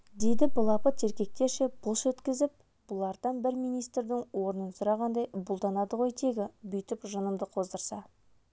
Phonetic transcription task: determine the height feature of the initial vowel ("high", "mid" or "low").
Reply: mid